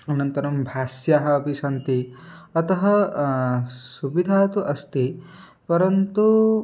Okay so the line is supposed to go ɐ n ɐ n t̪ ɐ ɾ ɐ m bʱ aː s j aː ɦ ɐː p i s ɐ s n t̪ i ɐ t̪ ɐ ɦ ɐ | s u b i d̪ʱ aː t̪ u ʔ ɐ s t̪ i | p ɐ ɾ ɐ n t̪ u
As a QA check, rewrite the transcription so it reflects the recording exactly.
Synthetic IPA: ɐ n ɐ n t̪ ɐ ɾ ɐ m bʱ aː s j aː ɦ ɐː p i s ɐ n t̪ i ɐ t̪ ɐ ɦ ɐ | s u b i d̪ʱ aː t̪ u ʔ ɐ s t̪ i | p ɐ ɾ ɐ n t̪ u

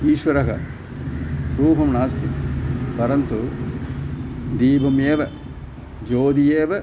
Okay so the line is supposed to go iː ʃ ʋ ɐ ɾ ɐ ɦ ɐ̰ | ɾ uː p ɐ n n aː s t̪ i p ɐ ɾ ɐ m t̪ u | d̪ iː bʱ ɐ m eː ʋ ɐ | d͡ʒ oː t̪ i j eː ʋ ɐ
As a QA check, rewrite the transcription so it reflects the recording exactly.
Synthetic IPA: iː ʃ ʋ ɐ ɾ ɐ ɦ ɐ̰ | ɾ uː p ɐ m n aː s t̪ i p ɐ ɾ ɐ n t̪ u | d̪ iː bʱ ɐ m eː ʋ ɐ | d͡ʒ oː d̪ i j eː ʋ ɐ

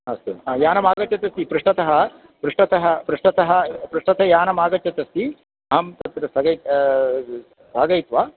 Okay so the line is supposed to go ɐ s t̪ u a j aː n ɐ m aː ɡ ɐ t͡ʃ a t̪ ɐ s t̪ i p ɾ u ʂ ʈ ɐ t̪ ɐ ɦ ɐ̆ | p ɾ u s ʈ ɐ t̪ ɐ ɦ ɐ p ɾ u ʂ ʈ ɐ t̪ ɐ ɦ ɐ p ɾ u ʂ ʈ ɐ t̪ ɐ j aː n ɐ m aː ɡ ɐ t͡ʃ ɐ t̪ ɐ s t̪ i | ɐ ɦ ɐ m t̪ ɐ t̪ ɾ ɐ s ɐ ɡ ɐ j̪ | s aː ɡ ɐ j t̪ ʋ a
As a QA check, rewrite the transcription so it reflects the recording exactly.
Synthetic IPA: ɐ s t̪ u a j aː n ɐ m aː ɡ ɐ t͡ʃ ɐ t̪ ɐ s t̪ i p ɾ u ʂ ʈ ɐ t̪ ɐ ɦ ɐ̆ | p ɾ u ʂ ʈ ɐ t̪ ɐ ɦ ɐ p ɾ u ʂ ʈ ɐ t̪ ɐ ɦ ɐ p ɾ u ʂ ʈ ɐ t̪ ɐ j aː n ɐ m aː ɡ ɐ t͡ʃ ɐ t̪ ɐ s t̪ i | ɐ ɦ ɐ m t̪ ɐ t̪ ɾ ɐ s ɐ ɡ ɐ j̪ | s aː ɡ ɐ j t̪ ʋ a

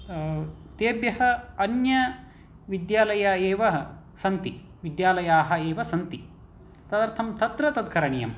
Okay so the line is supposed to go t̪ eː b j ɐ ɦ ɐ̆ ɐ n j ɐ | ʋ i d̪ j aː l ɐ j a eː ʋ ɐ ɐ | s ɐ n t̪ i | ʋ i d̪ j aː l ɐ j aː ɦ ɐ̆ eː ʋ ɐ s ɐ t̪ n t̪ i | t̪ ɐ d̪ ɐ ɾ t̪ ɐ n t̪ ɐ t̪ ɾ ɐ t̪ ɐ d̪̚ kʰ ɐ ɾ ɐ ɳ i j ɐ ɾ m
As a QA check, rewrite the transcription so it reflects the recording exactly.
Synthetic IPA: t̪ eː b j ɐ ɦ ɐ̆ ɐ n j ɐ | ʋ i d̪ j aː l ɐ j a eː ʋ ɐ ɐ | s ɐ n t̪ i | ʋ i d̪ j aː l ɐ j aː ɦ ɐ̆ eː ʋ ɐ s ɐ n t̪ i | t̪ ɐ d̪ ɐ ɾ t̪ʰ ɐ m t̪ ɐ t̪ ɾ ɐ t̪ ɐ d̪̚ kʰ ɐ ɾ ɐ ɳ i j ɐ m

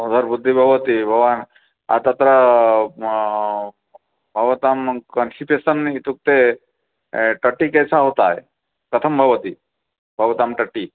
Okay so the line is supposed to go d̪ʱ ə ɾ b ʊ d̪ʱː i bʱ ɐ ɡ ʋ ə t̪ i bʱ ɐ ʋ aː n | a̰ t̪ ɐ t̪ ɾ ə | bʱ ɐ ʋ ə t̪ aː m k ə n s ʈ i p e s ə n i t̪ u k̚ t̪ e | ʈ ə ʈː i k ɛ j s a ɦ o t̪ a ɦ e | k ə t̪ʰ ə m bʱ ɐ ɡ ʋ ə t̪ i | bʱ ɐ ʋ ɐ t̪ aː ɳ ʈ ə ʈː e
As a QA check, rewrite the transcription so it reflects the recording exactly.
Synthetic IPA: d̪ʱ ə ɾ b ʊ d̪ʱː i bʱ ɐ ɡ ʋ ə t̪ i bʱ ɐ ʋ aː n | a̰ t̪ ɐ t̪ ɾ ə | bʱ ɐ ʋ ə t̪ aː m k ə n s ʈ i p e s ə n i t̪ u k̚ t̪ e | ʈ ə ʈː i k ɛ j s a ɦ o t̪ a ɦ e | k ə t̪ʰ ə m bʱ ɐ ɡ ʋ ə t̪ i | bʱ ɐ ʋ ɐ t̪ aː m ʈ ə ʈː i

